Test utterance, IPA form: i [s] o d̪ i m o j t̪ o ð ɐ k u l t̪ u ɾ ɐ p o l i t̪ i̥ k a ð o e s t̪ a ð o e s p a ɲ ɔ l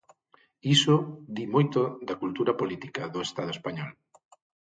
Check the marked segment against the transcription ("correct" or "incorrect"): correct